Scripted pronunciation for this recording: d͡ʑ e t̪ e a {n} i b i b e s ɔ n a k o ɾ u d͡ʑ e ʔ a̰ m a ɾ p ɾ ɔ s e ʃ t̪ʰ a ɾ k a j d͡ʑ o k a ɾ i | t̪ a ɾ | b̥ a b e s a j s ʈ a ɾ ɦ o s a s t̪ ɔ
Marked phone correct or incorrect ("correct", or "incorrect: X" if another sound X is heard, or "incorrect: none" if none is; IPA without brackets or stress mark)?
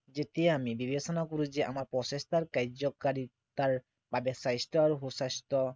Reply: incorrect: m